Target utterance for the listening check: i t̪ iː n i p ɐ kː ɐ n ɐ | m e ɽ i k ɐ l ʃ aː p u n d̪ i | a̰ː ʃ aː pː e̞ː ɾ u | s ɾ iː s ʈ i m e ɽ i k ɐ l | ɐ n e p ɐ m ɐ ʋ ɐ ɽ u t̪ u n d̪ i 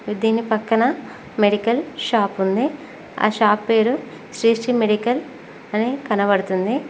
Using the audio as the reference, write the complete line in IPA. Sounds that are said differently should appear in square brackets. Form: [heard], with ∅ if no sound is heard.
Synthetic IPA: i [d̪] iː n i p ɐ kː ɐ n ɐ | m e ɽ i k ɐ l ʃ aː p u n d̪ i | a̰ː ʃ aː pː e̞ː ɾ u | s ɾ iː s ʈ i m e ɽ i k ɐ l | ɐ n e [k] ɐ [n] ɐ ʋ ɐ ɽ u t̪ u n d̪ i